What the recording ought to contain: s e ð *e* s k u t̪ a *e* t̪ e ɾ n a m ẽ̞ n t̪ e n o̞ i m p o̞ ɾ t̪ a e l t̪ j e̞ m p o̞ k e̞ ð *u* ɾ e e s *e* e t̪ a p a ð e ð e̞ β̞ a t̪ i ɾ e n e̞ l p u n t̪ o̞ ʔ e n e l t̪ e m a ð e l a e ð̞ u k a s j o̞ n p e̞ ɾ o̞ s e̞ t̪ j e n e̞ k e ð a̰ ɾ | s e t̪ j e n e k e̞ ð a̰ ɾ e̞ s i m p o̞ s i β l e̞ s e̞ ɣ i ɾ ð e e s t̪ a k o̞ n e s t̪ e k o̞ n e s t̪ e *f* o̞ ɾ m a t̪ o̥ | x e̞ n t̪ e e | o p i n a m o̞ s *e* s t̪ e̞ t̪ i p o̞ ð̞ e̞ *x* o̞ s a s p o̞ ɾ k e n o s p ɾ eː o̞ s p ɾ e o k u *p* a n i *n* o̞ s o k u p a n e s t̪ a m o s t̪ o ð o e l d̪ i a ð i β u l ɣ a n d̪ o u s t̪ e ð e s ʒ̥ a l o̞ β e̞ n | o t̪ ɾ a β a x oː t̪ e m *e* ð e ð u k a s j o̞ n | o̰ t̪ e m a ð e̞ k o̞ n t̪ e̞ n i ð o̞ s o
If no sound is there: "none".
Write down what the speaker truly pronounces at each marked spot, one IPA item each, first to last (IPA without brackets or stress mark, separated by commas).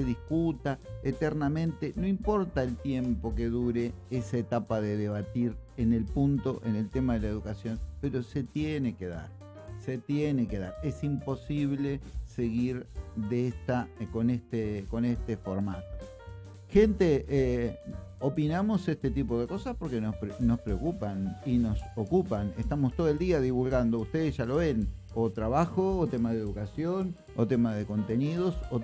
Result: i, e, u, a, f, e, k, p, n, a